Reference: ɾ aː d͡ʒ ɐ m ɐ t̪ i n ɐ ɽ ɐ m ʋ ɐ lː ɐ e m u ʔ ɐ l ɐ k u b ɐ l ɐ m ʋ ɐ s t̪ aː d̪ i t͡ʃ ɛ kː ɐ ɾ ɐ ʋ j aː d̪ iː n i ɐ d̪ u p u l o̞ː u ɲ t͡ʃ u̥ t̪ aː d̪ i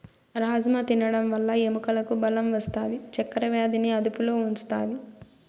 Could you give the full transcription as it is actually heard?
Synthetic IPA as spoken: ɾ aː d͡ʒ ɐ m ɐ t̪ i n ɐ ɽ ɐ m ʋ ɐ lː ɐ e m u k ɐ l ɐ k u b ɐ l ɐ m ʋ ɐ s t̪ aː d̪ i t͡ʃ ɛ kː ɐ ɾ ɐ ʋ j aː d̪ i n i ɐ d̪ u p u l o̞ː u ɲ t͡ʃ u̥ t̪ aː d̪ i